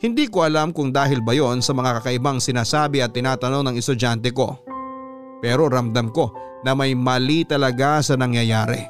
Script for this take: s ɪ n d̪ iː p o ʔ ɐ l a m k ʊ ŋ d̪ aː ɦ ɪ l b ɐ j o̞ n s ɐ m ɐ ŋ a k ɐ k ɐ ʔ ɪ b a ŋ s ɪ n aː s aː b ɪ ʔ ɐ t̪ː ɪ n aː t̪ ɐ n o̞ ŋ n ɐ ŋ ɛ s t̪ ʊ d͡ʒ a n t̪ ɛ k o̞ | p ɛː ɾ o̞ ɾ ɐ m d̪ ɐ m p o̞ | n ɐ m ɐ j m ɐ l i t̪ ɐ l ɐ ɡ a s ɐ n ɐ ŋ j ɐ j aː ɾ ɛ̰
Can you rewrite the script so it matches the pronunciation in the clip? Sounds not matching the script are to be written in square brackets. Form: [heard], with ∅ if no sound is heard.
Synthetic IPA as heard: [h] ɪ n d̪ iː [k] o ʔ ɐ l a m k ʊ ŋ d̪ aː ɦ ɪ l b ɐ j o̞ n s ɐ m ɐ ŋ a k ɐ k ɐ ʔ ɪ b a ŋ s ɪ n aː s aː b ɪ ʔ ɐ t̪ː ɪ n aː t̪ ɐ n o̞ ŋ n ɐ ŋ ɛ s t̪ ʊ d͡ʒ a n t̪ ɛ k o̞ | p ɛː ɾ o̞ ɾ ɐ m d̪ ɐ m [k] o̞ | n ɐ m ɐ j m ɐ l i t̪ ɐ l ɐ ɡ a s ɐ n ɐ ŋ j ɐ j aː ɾ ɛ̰